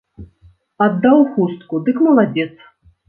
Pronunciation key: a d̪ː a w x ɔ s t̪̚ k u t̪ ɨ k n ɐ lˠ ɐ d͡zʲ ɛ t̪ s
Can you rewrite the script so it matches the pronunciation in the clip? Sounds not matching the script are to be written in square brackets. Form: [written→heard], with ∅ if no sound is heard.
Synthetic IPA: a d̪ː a w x [ɔ→u] s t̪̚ k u [t̪→d̪] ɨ k [n→m] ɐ lˠ [ɐ→a] d͡zʲ ɛ t̪ s